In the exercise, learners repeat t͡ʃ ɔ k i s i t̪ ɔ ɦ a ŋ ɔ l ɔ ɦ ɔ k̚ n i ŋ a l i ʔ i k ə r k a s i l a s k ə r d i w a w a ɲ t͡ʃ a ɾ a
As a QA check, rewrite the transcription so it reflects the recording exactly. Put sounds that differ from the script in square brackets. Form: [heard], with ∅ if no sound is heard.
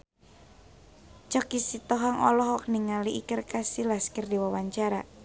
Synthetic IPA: t͡ʃ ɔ k i s i t̪ ɔ ɦ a ŋ ɔ l ɔ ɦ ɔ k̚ n i ŋ a l i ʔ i k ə r k a s i l a s k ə r d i w a w a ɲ t͡ʃ a ɾ a